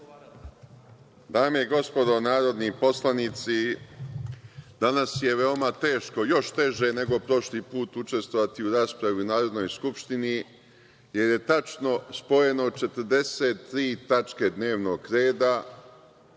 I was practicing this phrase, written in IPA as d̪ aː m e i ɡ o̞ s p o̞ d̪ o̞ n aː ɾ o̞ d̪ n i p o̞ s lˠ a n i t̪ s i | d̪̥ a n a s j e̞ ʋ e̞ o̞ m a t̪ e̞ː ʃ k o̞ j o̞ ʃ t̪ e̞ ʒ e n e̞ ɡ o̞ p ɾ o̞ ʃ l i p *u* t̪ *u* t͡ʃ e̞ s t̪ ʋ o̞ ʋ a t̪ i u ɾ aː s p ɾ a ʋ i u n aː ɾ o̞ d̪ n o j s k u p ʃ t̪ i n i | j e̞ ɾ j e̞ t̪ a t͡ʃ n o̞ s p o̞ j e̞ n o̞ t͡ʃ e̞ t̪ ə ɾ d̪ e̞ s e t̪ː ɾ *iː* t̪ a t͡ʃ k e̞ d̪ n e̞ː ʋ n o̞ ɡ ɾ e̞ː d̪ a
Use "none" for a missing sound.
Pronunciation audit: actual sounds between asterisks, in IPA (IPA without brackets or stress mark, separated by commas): uː, u, iː